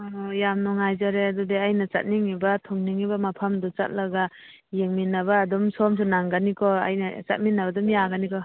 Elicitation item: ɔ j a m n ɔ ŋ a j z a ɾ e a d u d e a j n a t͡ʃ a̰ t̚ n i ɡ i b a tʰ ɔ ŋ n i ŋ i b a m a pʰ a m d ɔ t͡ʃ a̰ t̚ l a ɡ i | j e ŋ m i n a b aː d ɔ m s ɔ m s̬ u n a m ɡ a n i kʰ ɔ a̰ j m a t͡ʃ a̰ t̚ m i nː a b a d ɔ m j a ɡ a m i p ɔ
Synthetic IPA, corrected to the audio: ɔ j a m n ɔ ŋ a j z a ɾ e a d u d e a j n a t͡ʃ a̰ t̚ n i ŋ i b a tʰ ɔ ŋ n i ŋ i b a m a pʰ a m d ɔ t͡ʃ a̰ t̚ l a ɡ a | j e ŋ m i n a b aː d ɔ m s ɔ m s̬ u n a ŋ ɡ a n i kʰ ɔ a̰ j n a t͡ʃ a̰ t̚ m i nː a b a d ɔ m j a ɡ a n i k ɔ